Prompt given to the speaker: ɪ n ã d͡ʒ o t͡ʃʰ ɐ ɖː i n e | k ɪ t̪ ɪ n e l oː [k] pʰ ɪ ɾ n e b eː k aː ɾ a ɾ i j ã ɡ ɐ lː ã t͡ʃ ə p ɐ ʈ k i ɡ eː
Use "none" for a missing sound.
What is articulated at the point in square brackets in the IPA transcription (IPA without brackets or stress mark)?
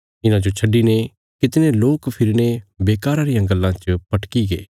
k